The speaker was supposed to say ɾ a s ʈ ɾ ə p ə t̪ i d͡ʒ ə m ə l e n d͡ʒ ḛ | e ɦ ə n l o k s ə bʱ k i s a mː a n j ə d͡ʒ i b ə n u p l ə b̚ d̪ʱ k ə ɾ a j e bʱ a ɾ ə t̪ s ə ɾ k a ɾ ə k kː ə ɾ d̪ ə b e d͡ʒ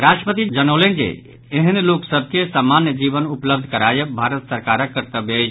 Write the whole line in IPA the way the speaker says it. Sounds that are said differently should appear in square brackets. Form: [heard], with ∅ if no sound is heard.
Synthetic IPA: ɾ a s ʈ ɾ ə p ə t̪ i d͡ʒ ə [n] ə l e n d͡ʒ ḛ | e ɦ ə n l o k s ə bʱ k [e] s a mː a n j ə d͡ʒ i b ə n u p l ə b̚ d̪ʱ k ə ɾ a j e bʱ a ɾ ə t̪ s ə ɾ k a ɾ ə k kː ə ɾ [t̪] ə b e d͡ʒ